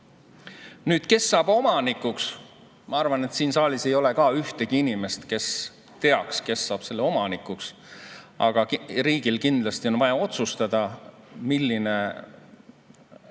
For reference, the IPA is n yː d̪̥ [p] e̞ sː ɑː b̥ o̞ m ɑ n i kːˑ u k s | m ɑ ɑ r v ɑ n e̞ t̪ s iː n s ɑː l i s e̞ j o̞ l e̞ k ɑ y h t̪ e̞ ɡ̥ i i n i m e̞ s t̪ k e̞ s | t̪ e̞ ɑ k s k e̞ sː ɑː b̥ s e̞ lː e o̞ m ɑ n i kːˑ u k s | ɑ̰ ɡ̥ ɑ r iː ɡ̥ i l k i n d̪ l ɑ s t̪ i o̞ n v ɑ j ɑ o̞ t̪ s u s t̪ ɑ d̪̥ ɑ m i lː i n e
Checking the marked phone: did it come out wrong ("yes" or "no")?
yes